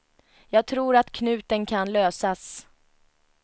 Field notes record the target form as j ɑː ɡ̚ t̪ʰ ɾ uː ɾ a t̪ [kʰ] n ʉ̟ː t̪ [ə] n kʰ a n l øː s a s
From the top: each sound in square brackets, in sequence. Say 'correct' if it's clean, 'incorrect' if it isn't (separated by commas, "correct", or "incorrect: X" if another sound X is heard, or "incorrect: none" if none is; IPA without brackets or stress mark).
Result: correct, correct